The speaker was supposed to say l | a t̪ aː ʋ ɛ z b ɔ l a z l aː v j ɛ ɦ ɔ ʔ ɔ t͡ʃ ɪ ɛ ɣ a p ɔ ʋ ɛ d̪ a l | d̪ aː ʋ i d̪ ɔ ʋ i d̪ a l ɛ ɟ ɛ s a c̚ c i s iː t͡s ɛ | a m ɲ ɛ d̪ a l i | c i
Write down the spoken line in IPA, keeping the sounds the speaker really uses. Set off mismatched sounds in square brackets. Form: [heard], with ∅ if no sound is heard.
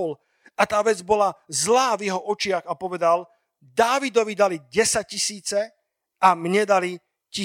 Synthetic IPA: l | a t̪ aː ʋ ɛ [d͡z] b ɔ l a z l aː v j ɛ ɦ ɔ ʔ ɔ t͡ʃ ɪ [a] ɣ a p ɔ ʋ ɛ d̪ a l | d̪ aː ʋ i d̪ ɔ ʋ i d̪ a l [i] ɟ ɛ s a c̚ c i s iː t͡s ɛ | a m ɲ ɛ d̪ a l i | c i